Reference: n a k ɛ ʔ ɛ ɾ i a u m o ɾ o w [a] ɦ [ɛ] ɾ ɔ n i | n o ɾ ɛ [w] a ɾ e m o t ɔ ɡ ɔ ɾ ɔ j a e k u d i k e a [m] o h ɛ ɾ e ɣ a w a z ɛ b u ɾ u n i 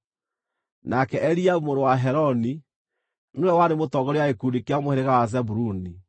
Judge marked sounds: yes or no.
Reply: yes, yes, yes, yes

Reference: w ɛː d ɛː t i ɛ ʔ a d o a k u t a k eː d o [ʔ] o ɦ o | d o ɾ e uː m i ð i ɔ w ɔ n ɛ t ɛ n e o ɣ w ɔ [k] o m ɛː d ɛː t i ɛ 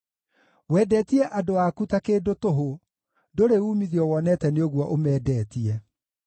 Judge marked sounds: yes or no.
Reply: no, no

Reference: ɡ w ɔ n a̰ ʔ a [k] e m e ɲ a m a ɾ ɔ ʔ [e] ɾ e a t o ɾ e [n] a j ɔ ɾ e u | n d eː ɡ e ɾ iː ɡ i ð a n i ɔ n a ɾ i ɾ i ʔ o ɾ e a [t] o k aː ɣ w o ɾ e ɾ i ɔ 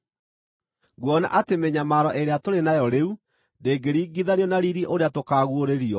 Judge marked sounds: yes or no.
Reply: no, yes, yes, yes

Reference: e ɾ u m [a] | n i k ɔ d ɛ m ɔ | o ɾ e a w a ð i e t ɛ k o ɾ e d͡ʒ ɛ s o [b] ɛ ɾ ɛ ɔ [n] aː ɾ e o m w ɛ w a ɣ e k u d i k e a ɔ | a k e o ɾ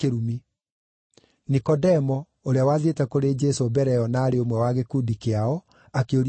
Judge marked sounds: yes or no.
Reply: no, yes, yes

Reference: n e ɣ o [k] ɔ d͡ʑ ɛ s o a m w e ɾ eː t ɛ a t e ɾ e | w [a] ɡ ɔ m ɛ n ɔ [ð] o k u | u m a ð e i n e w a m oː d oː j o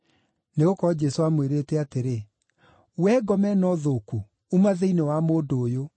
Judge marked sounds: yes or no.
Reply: yes, no, yes

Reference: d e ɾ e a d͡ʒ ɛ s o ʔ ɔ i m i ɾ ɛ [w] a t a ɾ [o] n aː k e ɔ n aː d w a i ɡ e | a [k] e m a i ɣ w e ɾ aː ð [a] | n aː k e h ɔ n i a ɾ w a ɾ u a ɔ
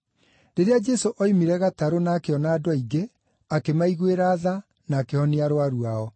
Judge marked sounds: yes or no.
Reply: no, yes, yes, yes

